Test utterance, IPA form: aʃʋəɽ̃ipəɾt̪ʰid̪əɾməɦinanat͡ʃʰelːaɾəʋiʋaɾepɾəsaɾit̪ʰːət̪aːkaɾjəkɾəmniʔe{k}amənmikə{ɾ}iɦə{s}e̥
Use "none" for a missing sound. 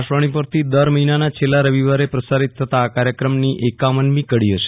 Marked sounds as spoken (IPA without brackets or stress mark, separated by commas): k, ɽ, ʃ